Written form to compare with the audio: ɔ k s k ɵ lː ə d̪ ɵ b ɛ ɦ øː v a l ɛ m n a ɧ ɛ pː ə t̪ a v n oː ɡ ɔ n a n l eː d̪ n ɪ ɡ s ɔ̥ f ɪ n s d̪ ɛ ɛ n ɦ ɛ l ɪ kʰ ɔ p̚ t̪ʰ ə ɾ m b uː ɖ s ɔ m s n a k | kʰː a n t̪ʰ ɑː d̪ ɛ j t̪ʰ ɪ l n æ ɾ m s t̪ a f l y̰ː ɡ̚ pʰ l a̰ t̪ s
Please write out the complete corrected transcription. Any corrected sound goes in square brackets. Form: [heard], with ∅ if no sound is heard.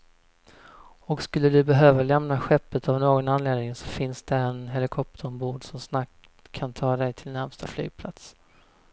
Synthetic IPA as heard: ɔ k s k ɵ lː ə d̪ ɵ b ɛ ɦ øː v a l ɛ m n a ɧ ɛ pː ə t̪ a v n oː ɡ ɔ n a n l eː d̪ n ɪ [ŋ] s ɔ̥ f ɪ n s d̪ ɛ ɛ n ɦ ɛ l ɪ kʰ ɔ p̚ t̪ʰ ə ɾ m b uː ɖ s ɔ m s n a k | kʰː a n t̪ʰ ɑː d̪ ɛ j t̪ʰ ɪ l n æ ɾ m s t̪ a f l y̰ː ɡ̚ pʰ l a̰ t̪ s